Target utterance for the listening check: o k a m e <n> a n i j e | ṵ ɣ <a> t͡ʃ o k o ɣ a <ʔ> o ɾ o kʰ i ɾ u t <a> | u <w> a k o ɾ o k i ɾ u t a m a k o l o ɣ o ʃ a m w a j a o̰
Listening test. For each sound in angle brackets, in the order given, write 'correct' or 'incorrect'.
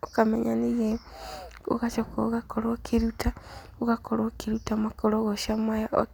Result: incorrect, correct, incorrect, correct, incorrect

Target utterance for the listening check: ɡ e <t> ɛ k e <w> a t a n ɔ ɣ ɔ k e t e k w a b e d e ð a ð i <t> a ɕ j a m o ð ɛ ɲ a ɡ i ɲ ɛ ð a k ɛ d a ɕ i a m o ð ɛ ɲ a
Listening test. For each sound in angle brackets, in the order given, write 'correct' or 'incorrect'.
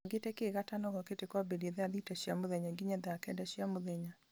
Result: correct, incorrect, correct

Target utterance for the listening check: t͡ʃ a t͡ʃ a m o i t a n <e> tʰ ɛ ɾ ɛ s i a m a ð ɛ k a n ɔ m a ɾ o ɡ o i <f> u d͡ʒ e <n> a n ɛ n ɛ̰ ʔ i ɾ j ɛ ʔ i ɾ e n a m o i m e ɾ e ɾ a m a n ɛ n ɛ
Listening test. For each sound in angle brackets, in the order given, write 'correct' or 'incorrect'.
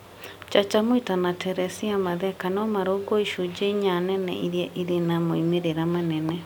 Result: incorrect, incorrect, incorrect

